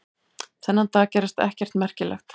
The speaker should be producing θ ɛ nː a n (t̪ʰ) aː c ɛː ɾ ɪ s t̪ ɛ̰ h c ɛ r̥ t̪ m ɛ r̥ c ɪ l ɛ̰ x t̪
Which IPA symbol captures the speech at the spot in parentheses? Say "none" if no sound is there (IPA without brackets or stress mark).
t̪